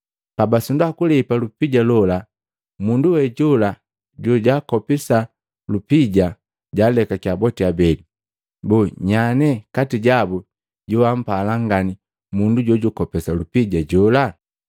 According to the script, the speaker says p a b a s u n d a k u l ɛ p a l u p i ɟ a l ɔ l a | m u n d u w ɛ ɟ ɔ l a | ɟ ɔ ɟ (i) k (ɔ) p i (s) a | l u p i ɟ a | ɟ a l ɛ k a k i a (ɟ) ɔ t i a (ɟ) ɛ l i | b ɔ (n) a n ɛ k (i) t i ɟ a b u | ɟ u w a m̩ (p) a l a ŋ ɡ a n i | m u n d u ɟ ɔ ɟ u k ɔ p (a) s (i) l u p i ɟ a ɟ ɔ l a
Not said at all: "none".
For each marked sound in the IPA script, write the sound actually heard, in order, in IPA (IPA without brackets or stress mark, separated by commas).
a, ɔ, s, b, b, ɲ, a, p, ɛ, a